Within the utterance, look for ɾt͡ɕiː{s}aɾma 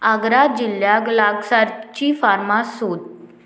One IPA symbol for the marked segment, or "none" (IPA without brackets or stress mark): f